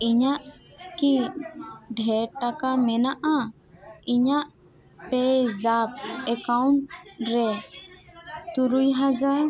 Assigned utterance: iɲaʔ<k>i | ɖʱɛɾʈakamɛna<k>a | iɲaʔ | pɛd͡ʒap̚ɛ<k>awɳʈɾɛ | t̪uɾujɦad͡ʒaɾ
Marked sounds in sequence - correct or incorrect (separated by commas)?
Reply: correct, incorrect, correct